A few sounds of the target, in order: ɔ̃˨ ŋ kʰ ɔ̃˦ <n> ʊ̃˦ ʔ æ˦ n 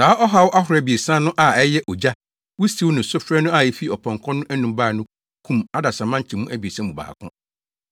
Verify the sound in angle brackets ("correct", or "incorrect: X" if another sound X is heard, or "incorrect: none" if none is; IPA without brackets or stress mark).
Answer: correct